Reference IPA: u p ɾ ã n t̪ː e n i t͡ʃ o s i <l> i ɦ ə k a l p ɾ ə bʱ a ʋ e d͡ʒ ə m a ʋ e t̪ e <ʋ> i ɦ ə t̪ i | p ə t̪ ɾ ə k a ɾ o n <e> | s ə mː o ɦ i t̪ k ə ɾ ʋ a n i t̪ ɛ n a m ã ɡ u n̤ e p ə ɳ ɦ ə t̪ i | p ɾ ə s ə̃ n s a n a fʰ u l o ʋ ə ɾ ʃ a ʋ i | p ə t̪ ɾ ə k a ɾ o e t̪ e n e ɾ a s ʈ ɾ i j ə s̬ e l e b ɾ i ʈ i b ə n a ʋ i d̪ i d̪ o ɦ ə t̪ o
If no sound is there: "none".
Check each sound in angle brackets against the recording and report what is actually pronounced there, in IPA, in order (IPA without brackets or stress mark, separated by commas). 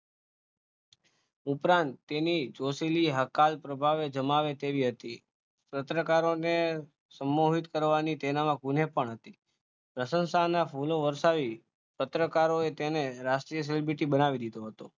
l, ʋ, e